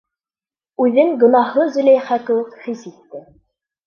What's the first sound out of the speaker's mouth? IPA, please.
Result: ʉ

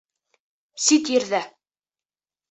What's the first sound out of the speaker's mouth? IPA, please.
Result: s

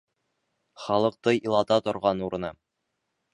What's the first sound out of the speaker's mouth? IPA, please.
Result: χ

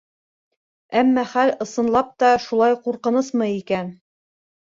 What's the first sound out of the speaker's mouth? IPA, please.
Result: æ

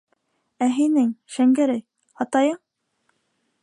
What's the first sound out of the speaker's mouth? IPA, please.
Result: æ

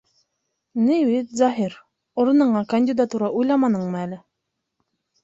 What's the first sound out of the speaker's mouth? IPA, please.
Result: n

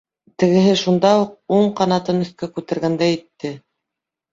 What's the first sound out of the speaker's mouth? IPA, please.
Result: t̪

